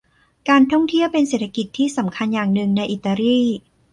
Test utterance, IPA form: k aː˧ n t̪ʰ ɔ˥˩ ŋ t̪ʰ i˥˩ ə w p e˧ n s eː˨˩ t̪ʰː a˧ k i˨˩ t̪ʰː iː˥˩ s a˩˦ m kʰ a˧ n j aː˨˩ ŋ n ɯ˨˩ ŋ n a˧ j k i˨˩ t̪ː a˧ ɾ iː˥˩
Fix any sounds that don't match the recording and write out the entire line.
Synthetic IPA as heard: k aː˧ n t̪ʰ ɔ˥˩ ŋ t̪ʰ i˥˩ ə w p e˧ n s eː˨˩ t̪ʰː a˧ k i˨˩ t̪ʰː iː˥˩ s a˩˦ m kʰ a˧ n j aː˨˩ ŋ n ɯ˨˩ ŋ n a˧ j ʔ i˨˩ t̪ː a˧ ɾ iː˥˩